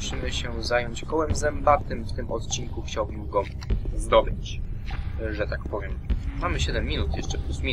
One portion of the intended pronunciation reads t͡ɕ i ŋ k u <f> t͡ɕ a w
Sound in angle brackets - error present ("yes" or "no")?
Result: yes